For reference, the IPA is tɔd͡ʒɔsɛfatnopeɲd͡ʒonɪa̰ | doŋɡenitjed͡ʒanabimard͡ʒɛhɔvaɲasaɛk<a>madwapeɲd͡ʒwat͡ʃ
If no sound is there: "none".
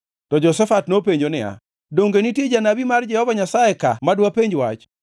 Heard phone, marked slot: a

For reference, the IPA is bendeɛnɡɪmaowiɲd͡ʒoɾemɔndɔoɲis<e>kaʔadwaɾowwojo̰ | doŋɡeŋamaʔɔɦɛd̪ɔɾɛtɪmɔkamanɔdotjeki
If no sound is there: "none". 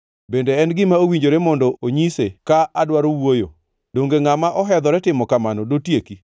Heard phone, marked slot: e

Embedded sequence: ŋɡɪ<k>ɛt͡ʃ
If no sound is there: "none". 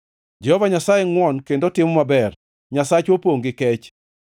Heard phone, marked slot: k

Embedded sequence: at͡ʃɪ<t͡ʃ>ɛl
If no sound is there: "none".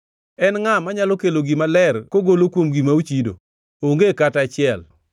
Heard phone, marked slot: none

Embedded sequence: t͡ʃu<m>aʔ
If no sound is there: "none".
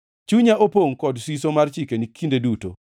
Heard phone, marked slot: ɲ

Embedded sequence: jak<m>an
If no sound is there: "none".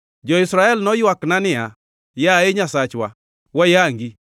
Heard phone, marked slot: n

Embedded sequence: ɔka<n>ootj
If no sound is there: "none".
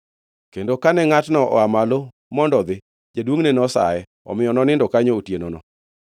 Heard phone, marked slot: ɲ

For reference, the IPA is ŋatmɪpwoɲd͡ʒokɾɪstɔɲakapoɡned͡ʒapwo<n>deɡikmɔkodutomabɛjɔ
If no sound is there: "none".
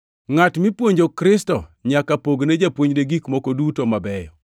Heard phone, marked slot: ɲ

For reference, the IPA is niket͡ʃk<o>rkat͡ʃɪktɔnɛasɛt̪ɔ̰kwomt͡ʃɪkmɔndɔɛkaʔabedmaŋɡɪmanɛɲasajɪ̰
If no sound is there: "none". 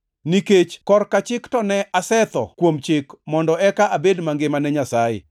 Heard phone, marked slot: ɔ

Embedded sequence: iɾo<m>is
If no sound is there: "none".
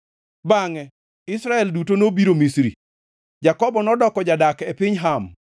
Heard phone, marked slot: m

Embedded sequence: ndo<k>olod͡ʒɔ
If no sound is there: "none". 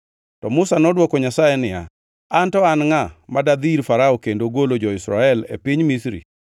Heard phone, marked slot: ɡ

